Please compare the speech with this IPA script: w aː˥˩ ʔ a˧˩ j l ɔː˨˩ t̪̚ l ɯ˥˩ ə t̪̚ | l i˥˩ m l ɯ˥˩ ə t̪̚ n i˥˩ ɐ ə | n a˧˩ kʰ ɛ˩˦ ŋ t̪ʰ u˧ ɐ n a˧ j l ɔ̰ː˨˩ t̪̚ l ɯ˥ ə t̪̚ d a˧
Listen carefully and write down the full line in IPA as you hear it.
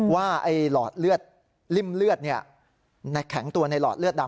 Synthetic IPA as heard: w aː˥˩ ʔ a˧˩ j l ɔː˨˩ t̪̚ l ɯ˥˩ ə t̪̚ | l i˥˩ m l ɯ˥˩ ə t̪̚ n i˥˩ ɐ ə | n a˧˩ kʰ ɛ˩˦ ŋ t̪ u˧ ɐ n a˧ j l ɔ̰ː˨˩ t̪̚ l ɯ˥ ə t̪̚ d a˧